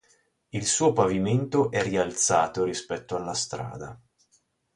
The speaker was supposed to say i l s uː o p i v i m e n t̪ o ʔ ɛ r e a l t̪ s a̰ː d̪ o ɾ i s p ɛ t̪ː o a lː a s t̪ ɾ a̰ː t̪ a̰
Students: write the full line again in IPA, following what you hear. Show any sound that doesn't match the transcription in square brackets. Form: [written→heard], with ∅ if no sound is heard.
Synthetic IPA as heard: i l s uː o p [i→a] v i m e n t̪ o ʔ ɛ r [e→i] a l t̪ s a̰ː [d̪→t̪] o ɾ i s p ɛ t̪ː o a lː a s t̪ ɾ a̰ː [t̪→d̪] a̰